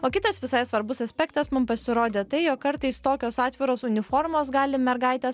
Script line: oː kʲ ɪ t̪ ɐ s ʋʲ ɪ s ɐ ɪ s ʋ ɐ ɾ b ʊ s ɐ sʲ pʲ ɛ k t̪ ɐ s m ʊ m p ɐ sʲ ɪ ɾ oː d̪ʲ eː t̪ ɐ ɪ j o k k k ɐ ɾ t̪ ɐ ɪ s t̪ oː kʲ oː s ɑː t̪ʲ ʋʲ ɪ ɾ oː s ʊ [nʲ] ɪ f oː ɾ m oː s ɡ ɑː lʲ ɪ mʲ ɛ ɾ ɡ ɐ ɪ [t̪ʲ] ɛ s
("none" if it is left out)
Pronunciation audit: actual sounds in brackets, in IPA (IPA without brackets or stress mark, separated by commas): nʲ, t̪ʲ